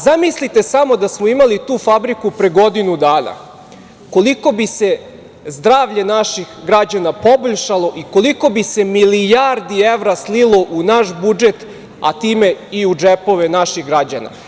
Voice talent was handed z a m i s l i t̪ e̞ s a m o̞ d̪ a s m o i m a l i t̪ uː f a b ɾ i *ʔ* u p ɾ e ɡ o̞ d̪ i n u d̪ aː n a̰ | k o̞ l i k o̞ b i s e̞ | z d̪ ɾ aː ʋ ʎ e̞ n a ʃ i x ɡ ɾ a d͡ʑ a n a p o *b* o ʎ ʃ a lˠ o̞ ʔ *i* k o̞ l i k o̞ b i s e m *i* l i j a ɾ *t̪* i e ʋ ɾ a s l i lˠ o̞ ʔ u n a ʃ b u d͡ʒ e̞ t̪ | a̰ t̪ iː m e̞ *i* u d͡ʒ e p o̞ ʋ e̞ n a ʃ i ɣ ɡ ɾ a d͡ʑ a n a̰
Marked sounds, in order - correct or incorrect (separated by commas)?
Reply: incorrect, correct, correct, correct, incorrect, correct